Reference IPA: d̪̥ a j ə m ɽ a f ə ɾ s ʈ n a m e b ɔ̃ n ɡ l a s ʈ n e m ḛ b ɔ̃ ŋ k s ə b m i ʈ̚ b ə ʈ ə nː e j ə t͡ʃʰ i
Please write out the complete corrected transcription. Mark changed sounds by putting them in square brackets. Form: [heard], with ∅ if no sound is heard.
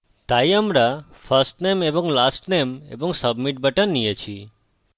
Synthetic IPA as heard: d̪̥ a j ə m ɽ a f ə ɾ s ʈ n [e] m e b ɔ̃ [ŋ] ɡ l a s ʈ n e m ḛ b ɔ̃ ŋ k s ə b m i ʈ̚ b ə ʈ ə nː [i] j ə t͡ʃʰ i

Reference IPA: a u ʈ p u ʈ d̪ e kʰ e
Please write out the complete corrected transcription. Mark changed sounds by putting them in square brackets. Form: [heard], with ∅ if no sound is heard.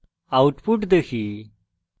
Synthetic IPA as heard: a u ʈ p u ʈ d̪ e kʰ [i]

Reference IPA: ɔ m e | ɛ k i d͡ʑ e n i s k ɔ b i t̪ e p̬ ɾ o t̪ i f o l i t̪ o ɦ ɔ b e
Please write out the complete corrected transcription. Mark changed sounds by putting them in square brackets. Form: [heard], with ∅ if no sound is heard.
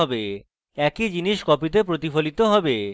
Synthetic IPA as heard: ɔ [b] e | ɛ k i d͡ʑ [i] n i [ʃ] k ɔ [p] i t̪ e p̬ ɾ o t̪ i f o l i t̪ o ɦ ɔ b e

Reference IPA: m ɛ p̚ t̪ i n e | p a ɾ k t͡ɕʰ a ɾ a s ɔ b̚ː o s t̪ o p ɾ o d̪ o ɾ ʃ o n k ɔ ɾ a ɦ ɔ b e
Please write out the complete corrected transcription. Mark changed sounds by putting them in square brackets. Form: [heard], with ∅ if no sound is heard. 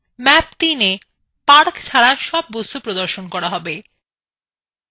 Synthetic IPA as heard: m ɛ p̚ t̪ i n e | p a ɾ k t͡ɕʰ a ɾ a [ʃ] ɔ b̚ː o s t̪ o p ɾ o d̪ o ɾ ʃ o n k ɔ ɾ a ɦ ɔ b e

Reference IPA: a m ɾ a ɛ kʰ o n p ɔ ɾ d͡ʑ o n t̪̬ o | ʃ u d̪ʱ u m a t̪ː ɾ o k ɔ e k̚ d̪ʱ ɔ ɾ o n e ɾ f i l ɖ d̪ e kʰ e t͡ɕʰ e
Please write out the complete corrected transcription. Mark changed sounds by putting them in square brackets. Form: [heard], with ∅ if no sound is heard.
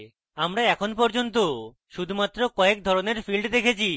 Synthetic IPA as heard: a m ɾ a ɛ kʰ o n p ɔ ɾ d͡ʑ o n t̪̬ o | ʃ u d̪ʱ u m a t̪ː ɾ o k ɔ e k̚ d̪ʱ ɔ ɾ o n e ɾ f i l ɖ d̪ e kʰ e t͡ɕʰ [i]

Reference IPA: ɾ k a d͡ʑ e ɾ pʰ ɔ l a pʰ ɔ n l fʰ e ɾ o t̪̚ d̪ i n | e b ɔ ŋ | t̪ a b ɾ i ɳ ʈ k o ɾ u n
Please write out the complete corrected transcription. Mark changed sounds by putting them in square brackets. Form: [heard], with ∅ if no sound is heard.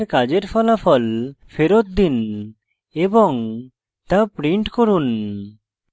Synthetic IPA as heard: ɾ k a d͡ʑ e ɾ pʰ ɔ l a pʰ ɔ [∅] l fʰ e ɾ o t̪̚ d̪ i n | e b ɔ ŋ | t̪ a [p] ɾ i ɳ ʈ k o ɾ u n

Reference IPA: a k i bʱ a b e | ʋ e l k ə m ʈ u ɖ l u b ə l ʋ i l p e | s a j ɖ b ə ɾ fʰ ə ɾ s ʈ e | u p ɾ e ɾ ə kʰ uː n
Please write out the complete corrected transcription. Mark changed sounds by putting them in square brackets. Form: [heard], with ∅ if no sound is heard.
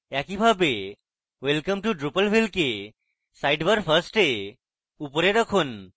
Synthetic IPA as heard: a k i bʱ a b e | ʋ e l k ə m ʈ u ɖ [ɾ] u [p] ə l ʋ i l [k] e | s a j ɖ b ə ɾ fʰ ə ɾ s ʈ e | u p ɾ e ɾ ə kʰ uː n

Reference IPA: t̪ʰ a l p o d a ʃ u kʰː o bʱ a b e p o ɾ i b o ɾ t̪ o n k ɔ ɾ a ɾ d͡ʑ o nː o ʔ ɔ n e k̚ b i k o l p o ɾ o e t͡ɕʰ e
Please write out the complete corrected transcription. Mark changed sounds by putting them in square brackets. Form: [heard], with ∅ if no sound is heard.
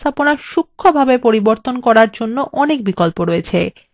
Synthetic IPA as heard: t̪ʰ a [∅] p o [n] a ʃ u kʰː o bʱ a b e p o ɾ i b o ɾ t̪ o n k ɔ ɾ a ɾ d͡ʑ o nː o ʔ ɔ n e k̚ b i k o l p o ɾ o e t͡ɕʰ e

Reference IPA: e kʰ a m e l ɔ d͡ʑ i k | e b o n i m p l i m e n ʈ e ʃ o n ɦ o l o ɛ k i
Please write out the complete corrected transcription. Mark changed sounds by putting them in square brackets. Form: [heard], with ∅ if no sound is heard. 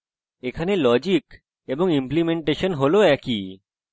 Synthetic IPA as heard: e kʰ a [n] e l ɔ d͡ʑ i k | e b o [ŋ] i m p l i m e [ɳ] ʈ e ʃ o n ɦ o l o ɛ k i

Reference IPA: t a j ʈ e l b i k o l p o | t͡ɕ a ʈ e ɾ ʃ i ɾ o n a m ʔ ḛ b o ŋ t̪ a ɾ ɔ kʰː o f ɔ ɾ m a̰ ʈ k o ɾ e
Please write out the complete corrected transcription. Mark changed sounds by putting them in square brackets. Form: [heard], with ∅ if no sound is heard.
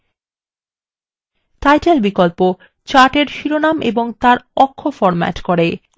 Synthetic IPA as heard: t a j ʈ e l b i k o l p o | t͡ɕ a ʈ e ɾ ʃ i ɾ o n a m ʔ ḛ b o ŋ t̪ a ɾ ɔ kʰː o f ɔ ɾ m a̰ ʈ k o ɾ e

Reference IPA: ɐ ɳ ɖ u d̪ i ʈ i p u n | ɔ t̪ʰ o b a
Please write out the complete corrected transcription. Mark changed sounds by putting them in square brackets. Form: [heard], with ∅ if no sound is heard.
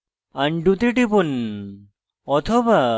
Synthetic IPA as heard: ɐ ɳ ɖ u [t̪] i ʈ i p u n | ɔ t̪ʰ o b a

